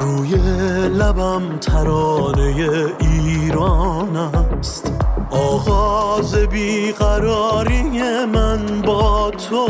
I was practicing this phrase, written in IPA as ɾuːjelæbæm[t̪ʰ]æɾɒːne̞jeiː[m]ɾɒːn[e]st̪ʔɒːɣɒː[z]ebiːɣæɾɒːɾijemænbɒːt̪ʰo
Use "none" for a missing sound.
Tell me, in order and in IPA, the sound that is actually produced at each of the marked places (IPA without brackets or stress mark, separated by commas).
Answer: t̪ʰ, none, æ, z